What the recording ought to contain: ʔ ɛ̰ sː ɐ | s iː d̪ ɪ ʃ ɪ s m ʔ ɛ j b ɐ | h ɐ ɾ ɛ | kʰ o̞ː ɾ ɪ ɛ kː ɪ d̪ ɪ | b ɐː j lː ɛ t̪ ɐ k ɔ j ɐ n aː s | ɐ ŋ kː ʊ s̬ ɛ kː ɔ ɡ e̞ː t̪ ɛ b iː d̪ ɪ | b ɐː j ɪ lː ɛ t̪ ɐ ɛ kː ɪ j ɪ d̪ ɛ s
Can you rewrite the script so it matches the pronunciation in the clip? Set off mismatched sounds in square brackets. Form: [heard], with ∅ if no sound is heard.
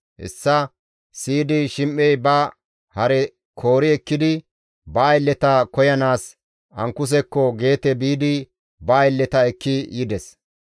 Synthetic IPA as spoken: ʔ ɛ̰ sː ɐ | s iː d̪ ɪ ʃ ɪ [∅] m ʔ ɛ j b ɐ | h ɐ ɾ ɛ | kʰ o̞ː ɾ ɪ ɛ kː ɪ d̪ ɪ | b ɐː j lː ɛ t̪ ɐ k ɔ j ɐ n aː s | ɐ ŋ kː ʊ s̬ ɛ kː ɔ ɡ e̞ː t̪ ɛ b iː d̪ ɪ | b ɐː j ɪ lː ɛ t̪ ɐ ɛ kː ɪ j ɪ d̪ ɛ s